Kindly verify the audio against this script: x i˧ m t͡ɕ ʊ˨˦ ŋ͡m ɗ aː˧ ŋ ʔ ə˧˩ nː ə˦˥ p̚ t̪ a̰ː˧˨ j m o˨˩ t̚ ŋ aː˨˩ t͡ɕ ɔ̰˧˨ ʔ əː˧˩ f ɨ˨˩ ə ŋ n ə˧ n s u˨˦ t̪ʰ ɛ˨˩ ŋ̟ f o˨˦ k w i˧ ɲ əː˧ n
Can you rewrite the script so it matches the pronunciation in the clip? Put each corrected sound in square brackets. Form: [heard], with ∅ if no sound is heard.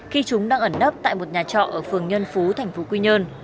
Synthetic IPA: x i˧ [∅] t͡ɕ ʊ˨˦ ŋ͡m ɗ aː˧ ŋ ʔ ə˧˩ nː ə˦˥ p̚ t̪ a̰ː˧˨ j m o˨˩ t̚ [ɲ] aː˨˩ t͡ɕ ɔ̰˧˨ ʔ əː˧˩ f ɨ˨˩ ə ŋ [ɲ] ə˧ n [f] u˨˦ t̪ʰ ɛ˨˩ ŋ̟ f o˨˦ k w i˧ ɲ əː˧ n